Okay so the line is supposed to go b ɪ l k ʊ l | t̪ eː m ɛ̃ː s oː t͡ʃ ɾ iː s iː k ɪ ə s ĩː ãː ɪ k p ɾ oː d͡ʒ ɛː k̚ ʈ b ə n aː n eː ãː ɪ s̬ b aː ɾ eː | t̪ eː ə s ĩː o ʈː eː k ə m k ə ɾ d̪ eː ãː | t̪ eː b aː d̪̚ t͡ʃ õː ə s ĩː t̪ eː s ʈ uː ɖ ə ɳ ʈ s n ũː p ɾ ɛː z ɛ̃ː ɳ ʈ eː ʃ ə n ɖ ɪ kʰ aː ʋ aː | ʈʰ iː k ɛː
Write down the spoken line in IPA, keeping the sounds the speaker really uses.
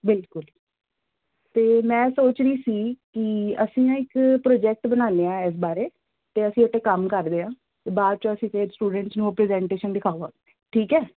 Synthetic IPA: b ɪ l k ʊ l | t̪ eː m ɛ̃ː s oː t͡ʃ ɾ iː s iː k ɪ ə s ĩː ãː ɪ k p ɾ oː d͡ʒ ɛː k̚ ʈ b ə n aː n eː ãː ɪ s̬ b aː ɾ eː | t̪ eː ə s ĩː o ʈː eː k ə m k ə ɾ d̪ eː ãː | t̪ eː b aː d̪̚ t͡ʃ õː ə s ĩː t̪ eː s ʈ uː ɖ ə ɳ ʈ s n ũː p ɾ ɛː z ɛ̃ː ɳ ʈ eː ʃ ə n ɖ ɪ kʰ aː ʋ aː | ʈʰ iː k ɛː